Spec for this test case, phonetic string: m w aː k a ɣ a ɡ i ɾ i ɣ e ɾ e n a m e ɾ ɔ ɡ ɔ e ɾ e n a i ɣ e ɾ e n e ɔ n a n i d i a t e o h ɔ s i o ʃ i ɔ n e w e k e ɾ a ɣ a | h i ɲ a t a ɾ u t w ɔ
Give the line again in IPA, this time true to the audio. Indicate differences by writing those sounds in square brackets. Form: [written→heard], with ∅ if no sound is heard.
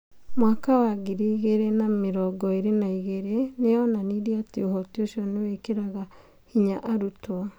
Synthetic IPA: m w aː k a [ɣ→w] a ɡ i ɾ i ɣ e ɾ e n a m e ɾ ɔ ɡ ɔ e ɾ e n a i ɣ e ɾ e n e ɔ n a n i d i a t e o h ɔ [s→t] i o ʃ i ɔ n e w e k e ɾ a ɣ a | h i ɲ a [t→ʔ] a ɾ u t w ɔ